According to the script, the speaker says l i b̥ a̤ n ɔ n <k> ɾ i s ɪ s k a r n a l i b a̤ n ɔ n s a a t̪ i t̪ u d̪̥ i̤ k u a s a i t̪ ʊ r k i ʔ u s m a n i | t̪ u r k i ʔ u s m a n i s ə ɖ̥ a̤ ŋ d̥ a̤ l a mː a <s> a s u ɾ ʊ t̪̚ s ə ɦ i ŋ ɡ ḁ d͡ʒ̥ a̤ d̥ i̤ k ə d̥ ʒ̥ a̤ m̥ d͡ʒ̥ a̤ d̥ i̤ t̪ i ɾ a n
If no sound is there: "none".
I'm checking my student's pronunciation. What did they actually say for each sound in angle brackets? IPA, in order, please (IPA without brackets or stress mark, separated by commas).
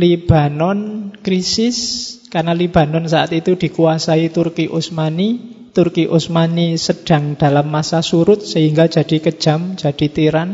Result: k, s